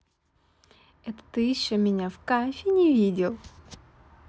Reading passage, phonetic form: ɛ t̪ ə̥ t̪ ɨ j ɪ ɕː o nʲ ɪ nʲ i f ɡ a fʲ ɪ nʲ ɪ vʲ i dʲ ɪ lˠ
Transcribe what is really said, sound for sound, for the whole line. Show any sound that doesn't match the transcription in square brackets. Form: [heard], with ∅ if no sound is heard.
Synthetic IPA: ɛ t̪ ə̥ t̪ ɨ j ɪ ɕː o [mʲ] ɪ nʲ [a] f [k] a fʲ ɪ nʲ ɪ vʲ i dʲ ɪ lˠ